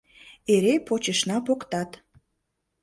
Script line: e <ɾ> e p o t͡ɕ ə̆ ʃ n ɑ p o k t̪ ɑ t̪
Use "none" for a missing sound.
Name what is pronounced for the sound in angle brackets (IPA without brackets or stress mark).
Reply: ɾ